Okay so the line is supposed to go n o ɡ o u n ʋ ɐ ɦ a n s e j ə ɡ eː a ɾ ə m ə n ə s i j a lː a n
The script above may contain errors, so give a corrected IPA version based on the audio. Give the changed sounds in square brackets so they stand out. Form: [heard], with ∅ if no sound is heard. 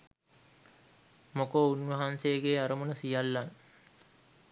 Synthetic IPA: [m] o [k] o u n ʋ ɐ ɦ a n s e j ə ɡ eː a ɾ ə m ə n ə s i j a lː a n